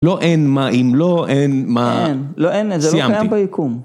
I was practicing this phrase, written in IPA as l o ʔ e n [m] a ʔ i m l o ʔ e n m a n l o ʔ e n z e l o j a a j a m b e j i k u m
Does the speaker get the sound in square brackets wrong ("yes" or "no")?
no